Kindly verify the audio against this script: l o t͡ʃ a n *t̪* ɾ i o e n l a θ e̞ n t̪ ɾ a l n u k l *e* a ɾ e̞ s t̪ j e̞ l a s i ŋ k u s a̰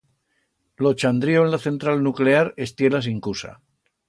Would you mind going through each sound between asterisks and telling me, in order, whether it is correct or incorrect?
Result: incorrect: d̪, correct

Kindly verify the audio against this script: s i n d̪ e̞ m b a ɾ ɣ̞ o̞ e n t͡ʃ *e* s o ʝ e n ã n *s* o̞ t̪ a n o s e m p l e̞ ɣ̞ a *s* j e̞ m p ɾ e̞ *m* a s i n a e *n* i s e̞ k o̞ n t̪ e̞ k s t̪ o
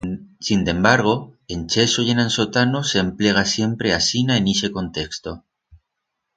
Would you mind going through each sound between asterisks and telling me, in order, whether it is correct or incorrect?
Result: correct, correct, correct, incorrect: none, correct

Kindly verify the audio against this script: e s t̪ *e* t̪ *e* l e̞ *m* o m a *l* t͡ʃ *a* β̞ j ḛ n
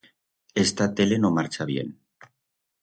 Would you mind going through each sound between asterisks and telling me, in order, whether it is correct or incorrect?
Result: incorrect: a, correct, incorrect: n, incorrect: ɾ, correct

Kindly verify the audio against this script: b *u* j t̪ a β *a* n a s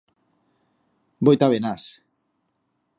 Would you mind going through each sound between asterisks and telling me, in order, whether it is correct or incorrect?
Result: incorrect: o, incorrect: e

